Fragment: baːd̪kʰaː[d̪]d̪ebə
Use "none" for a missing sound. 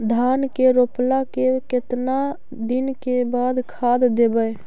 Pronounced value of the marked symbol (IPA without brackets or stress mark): d̪